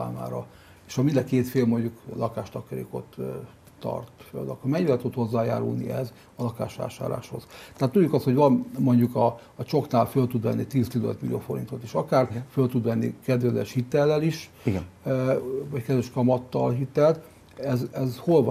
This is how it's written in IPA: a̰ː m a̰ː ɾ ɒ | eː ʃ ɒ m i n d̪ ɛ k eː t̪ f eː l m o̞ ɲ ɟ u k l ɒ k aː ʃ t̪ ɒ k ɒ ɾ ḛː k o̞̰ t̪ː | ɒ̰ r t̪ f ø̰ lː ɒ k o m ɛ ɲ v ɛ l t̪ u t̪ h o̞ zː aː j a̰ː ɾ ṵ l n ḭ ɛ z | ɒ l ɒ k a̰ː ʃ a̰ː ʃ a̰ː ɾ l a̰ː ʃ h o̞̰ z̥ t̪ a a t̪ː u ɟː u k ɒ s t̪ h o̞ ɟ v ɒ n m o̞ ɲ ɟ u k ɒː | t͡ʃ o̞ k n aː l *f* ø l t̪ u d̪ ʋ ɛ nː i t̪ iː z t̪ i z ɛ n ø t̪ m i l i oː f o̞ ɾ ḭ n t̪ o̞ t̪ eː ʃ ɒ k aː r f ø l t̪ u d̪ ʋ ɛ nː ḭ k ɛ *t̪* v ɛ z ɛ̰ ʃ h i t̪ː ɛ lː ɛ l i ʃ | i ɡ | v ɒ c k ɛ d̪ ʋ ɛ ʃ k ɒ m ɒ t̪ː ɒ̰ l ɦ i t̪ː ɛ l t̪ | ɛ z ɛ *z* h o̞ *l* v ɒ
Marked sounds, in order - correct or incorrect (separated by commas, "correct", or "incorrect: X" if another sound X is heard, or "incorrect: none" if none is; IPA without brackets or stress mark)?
correct, incorrect: d̪, correct, correct